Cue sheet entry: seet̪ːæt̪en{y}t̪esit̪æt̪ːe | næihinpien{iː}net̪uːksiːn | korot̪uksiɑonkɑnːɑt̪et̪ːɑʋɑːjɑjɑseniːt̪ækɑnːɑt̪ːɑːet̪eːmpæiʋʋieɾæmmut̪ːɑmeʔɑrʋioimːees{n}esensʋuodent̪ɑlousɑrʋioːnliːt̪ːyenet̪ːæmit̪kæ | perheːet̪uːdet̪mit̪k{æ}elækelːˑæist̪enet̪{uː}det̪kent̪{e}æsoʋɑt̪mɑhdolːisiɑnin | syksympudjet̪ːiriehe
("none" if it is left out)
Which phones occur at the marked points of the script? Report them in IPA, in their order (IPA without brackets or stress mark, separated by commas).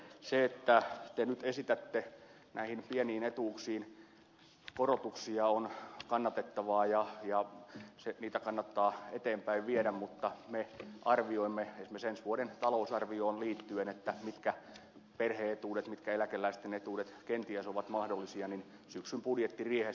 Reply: y, iː, m, æ, uː, i